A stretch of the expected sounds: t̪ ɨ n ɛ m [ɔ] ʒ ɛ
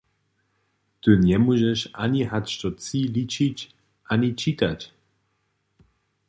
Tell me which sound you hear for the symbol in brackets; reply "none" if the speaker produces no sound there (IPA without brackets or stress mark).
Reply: u